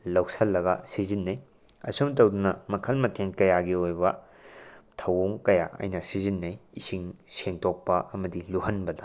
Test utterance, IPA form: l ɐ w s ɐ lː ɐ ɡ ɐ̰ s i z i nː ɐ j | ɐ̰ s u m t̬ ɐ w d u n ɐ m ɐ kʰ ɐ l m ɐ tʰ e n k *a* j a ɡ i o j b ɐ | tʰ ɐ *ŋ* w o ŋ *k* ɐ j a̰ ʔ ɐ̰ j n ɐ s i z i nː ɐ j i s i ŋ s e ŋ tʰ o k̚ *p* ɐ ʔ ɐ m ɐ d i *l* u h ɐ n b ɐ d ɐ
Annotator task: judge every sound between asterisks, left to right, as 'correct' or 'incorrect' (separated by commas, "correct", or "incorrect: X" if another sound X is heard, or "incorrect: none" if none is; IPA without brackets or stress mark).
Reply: incorrect: ɐ, incorrect: none, correct, correct, correct